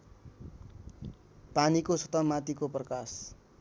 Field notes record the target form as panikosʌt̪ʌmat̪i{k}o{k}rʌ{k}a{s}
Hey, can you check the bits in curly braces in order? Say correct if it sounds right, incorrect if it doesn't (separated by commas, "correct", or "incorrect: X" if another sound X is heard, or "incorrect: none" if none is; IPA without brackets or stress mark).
correct, incorrect: p, correct, correct